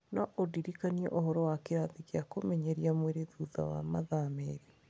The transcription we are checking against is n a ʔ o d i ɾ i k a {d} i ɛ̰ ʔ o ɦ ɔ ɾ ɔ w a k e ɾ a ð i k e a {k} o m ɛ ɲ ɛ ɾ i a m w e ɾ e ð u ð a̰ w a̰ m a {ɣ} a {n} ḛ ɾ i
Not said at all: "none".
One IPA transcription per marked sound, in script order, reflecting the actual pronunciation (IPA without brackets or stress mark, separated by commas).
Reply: n, k, ð, m